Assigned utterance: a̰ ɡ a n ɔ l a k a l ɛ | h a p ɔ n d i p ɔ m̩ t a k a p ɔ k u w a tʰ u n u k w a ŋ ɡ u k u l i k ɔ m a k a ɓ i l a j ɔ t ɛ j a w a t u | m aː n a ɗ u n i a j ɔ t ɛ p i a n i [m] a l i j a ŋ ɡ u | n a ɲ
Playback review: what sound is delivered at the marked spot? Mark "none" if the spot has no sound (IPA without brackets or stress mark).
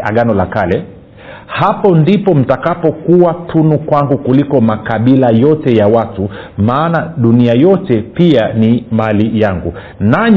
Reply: m